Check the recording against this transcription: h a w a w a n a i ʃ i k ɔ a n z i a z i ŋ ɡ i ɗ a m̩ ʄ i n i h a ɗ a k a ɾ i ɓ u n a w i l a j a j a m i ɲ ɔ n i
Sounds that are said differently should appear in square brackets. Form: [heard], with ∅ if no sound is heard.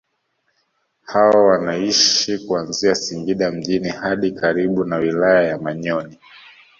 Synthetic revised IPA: h a w a w a n a i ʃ i k [u] a n z i a [s] i ŋ ɡ i ɗ a m̩ ʄ i n i h a ɗ [i] k a ɾ i ɓ u n a w i l a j a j a m [a] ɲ ɔ n i